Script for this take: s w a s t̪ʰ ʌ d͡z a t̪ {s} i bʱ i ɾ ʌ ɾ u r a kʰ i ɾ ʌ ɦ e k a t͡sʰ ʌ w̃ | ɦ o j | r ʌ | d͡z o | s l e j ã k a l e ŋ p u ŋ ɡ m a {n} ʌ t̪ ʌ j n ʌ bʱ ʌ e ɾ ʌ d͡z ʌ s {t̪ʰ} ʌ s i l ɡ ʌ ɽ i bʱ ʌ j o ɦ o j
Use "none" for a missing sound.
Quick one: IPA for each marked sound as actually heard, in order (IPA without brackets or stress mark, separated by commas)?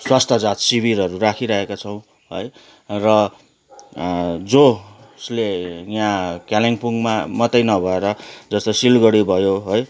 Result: s, m, t̪